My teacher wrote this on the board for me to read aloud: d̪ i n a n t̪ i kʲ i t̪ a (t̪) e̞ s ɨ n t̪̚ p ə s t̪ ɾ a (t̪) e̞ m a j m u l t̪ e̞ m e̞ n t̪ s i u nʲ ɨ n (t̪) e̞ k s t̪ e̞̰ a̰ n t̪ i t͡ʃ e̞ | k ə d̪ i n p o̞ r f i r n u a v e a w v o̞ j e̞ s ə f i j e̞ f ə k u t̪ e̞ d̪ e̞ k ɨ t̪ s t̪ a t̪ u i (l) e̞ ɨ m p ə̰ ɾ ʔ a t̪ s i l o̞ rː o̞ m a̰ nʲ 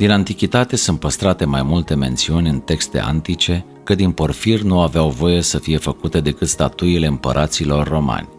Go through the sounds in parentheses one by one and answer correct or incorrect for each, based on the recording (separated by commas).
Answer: correct, correct, correct, correct